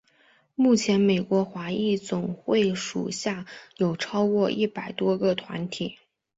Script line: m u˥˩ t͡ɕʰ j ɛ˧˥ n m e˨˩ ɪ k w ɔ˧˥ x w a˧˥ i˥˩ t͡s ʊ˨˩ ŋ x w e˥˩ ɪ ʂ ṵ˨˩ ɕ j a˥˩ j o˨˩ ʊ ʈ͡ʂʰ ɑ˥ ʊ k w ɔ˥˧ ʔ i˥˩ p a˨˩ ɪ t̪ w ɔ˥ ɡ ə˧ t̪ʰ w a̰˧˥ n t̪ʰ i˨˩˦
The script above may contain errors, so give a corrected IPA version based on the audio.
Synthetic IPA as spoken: m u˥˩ t͡ɕʰ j ɛ˧˥ n m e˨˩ ɪ k w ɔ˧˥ x w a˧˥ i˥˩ t͡s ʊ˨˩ ŋ x w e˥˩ ɪ ʂ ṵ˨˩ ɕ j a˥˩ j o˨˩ ʊ ʈ͡ʂʰ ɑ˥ ʊ k w ɔ˥˧ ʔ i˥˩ p a˨˩ ɪ t̪ w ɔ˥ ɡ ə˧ t̪ʰ w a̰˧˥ n t̪ʰ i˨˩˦

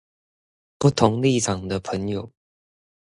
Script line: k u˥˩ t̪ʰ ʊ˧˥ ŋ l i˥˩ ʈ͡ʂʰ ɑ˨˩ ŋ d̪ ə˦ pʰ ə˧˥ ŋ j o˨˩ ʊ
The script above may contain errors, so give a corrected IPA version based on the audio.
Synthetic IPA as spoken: p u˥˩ t̪ʰ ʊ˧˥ ŋ l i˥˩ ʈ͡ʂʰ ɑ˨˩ ŋ d̪ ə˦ pʰ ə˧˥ ŋ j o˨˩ ʊ

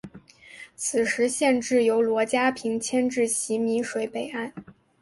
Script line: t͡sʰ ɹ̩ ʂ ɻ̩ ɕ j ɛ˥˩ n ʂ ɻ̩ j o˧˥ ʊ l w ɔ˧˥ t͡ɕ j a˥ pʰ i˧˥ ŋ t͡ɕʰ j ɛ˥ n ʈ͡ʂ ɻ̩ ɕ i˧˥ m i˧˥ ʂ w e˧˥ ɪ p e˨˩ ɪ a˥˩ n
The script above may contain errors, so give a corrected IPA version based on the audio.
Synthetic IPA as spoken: t͡sʰ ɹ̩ ʂ ɻ̩ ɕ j ɛ˥˧ n ʈ͡ʂ ɻ̩ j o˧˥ ʊ l w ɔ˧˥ t͡ɕ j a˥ pʰ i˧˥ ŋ t͡ɕʰ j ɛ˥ n ʈ͡ʂ ɻ̩ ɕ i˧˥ m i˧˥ ʂ w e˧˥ ɪ p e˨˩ ɪ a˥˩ n

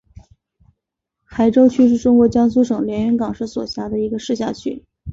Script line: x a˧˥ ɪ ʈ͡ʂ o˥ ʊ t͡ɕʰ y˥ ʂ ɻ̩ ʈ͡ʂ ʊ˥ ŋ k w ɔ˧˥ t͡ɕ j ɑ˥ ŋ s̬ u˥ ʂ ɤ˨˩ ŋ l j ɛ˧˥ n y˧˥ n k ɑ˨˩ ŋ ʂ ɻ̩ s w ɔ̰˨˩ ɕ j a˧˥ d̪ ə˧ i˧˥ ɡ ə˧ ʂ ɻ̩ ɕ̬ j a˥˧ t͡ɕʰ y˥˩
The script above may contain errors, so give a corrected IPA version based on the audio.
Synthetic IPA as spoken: x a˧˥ ɪ ʈ͡ʂ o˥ ʊ t͡ɕʰ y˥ ʂ ɻ̩ ʈ͡ʂ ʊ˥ ŋ k w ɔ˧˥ t͡ɕ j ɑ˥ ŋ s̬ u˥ ʂ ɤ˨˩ ŋ l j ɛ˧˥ n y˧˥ n k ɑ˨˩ ŋ ʂ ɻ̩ s w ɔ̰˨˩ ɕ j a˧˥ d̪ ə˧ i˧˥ ɡ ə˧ ʂ ɻ̩ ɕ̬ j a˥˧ t͡ɕʰ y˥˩

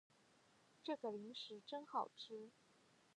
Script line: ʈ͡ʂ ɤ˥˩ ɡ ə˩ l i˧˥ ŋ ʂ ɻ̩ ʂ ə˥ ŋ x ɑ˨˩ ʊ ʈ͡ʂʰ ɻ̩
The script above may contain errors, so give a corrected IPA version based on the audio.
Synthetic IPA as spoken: ʈ͡ʂ ɤ˥˩ ɡ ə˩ l i˧˥ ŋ ʂ ɻ̩ ʈ͡ʂ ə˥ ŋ x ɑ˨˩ ʊ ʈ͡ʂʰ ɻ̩

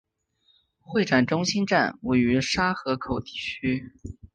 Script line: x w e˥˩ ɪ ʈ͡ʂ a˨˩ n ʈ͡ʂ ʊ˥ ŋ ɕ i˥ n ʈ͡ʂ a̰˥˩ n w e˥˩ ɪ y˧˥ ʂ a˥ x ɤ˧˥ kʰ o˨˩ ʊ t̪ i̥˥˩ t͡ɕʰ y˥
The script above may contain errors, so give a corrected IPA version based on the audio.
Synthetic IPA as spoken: x w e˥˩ ɪ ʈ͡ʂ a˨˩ n ʈ͡ʂ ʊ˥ ŋ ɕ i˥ n ʈ͡ʂ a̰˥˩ n w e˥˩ ɪ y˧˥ ʂ a˥ x ɤ˧˥ kʰ o˨˩ ʊ t̪ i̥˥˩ t͡ɕʰ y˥

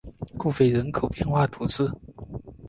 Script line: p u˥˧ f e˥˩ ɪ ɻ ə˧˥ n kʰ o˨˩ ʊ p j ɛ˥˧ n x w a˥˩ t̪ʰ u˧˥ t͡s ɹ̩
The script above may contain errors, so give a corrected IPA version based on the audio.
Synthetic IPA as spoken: k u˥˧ f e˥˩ ɪ ɻ ə˧˥ n kʰ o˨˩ ʊ p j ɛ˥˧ n x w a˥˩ t̪ʰ u˧˥ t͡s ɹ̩

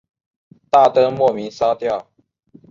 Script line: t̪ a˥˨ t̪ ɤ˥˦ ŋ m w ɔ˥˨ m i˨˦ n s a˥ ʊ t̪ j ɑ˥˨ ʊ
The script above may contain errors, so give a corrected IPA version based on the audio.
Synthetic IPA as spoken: t̪ a˥˨ t̪ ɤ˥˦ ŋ m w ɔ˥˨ m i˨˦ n s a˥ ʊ t̪ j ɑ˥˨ ʊ

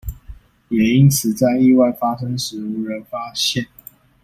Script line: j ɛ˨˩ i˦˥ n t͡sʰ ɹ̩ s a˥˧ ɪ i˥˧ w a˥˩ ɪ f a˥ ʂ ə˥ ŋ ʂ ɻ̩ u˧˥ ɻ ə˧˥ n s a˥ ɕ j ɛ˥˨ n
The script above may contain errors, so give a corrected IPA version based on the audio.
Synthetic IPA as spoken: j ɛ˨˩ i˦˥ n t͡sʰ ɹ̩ t͡s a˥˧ ɪ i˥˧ w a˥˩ ɪ f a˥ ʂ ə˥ ŋ ʂ ɻ̩ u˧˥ ɻ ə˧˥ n f a˥ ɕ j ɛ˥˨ n

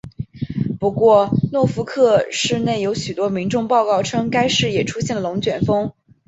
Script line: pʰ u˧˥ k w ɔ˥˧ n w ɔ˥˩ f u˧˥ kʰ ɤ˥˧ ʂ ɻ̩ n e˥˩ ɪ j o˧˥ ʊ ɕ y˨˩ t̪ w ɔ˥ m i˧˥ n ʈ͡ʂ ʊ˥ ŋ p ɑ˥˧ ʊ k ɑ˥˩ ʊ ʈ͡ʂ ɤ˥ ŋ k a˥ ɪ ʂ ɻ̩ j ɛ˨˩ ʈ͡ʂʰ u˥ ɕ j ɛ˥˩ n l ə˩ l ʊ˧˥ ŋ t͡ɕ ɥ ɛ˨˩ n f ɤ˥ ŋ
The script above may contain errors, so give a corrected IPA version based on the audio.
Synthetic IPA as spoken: p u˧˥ k w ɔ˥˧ n w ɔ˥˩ f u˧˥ kʰ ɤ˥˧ ʂ ɻ̩ n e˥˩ ɪ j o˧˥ ʊ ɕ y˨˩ t̪ w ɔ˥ m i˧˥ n ʈ͡ʂ ʊ˥˧ ŋ p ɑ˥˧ ʊ k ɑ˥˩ ʊ ʈ͡ʂʰ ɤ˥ ŋ k a˥ ɪ ʂ ɻ̩ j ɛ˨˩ ʈ͡ʂʰ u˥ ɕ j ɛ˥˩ n l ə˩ l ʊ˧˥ ŋ t͡ɕ ɥ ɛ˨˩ n f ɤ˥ ŋ

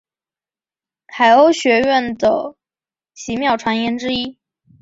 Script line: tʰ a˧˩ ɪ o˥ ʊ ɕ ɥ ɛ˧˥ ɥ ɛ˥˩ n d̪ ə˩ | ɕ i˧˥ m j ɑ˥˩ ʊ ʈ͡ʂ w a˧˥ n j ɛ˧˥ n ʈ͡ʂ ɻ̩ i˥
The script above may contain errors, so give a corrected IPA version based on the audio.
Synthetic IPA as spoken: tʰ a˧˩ ɪ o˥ ʊ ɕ ɥ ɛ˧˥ ɥ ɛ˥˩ n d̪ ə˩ | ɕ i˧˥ m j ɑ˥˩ ʊ ʈ͡ʂʰ w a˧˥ n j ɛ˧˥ n ʈ͡ʂ ɻ̩ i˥

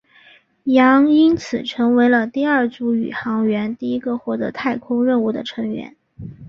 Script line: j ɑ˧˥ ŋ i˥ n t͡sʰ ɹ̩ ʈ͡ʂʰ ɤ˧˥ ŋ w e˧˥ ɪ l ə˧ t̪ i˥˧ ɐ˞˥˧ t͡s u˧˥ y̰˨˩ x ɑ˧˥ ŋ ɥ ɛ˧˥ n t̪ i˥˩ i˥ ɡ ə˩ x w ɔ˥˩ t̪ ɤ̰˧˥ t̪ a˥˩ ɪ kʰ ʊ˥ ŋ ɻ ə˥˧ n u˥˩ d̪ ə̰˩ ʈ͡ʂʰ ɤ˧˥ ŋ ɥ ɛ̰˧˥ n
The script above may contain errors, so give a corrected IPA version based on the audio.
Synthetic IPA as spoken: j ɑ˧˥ ŋ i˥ n t͡sʰ ɹ̩ ʈ͡ʂʰ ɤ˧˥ ŋ w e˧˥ ɪ l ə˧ t̪ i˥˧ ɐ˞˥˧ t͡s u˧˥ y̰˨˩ x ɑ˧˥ ŋ ɥ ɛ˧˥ n t̪ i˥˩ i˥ ɡ ə˧ x w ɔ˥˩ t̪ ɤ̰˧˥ t̪ʰ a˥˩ ɪ kʰ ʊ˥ ŋ ɻ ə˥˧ n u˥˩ d̪ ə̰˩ ʈ͡ʂʰ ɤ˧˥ ŋ ɥ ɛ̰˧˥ n

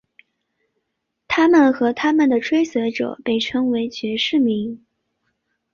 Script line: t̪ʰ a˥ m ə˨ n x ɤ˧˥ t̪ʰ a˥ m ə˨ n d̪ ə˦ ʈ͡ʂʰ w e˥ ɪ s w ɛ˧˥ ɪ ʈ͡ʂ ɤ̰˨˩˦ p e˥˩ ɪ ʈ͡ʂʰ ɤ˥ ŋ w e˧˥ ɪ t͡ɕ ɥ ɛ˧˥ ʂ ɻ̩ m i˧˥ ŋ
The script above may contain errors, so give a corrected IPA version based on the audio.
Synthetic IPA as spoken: t̪ʰ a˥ m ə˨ n x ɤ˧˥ t̪ʰ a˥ m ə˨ n d̪ ə˩ ʈ͡ʂʰ w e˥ ɪ s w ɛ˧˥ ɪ ʈ͡ʂ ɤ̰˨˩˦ p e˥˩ ɪ ʈ͡ʂʰ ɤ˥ ŋ w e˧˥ ɪ t͡ɕ ɥ ɛ˧˥ ʂ ɻ̩ m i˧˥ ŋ

